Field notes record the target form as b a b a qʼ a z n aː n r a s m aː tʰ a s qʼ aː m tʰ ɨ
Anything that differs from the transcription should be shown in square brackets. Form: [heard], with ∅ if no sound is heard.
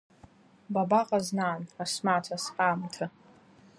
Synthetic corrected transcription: b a b a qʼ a z n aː n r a s m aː tʰ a s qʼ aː m tʰ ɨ